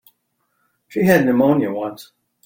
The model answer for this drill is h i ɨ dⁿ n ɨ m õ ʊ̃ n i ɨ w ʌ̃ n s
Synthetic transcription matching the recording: ʃ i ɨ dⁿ n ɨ m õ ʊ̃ n j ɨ w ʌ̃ n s